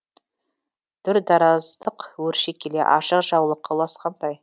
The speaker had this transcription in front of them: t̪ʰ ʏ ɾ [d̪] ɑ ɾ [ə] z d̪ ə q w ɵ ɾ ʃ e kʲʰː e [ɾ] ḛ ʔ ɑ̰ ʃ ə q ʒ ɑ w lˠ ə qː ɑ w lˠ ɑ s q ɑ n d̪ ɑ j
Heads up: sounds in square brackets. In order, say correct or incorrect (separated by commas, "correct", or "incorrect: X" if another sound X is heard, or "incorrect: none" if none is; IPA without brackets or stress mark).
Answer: correct, incorrect: ɑ, incorrect: l